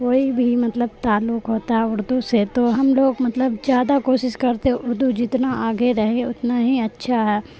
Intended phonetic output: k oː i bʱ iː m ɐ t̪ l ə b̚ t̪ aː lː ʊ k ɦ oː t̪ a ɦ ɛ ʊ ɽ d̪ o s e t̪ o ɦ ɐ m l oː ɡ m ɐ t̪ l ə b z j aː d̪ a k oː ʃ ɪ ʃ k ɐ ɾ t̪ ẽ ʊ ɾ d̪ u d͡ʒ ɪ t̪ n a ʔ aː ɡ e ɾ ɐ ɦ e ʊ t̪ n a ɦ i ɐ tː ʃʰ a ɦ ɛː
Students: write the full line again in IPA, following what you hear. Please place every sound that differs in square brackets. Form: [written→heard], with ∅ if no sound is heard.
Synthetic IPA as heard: k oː i bʱ [iː→i] m ɐ t̪ l ə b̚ t̪ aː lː ʊ k ɦ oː t̪ a ɦ ɛ ʊ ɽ d̪ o s e t̪ o ɦ ɐ m l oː ɡ m ɐ t̪ l ə b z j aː d̪ a k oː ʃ ɪ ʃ k ɐ ɾ t̪ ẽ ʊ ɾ d̪ u d͡ʒ ɪ t̪ n a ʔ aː ɡ e ɾ ɐ ɦ e ʊ t̪ n a ɦ i ɐ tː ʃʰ a ɦ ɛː